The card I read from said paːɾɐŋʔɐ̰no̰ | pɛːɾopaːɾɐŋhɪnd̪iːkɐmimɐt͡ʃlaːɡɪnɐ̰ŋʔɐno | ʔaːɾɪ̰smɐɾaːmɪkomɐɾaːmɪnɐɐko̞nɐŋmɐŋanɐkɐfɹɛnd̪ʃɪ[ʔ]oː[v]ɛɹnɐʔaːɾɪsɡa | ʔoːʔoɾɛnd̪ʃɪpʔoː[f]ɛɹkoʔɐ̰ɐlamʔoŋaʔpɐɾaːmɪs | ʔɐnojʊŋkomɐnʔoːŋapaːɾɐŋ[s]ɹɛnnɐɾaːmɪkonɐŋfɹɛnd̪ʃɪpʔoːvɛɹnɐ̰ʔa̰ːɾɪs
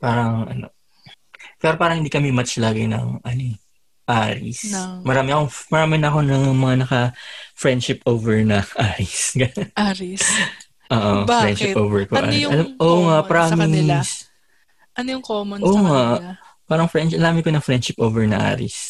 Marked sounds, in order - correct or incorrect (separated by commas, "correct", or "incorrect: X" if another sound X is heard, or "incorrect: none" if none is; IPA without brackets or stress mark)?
incorrect: p, correct, incorrect: v, incorrect: f